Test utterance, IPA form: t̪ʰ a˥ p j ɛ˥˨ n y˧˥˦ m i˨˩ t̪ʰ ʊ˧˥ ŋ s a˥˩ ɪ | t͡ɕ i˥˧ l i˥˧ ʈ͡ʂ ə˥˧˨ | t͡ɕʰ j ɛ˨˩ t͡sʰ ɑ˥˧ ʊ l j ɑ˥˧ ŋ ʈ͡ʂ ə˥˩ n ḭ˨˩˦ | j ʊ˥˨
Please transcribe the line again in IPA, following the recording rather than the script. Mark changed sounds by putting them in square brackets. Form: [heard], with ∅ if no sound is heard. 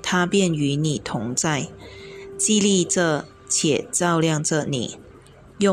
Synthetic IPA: t̪ʰ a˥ p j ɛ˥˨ n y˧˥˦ [n] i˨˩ t̪ʰ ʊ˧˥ ŋ [t͡s] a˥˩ ɪ | t͡ɕ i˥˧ l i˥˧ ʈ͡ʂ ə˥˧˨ | t͡ɕʰ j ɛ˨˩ [t͡s] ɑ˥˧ ʊ l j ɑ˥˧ ŋ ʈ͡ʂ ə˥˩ n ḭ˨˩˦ | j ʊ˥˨